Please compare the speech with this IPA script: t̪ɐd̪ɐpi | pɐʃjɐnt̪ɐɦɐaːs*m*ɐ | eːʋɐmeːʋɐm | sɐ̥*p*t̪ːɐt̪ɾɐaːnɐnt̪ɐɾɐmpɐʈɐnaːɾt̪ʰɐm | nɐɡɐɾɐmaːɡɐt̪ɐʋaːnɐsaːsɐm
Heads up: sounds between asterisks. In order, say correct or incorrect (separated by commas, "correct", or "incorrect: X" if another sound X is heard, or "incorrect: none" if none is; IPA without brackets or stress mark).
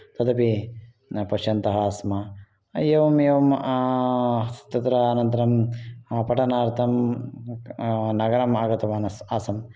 correct, incorrect: none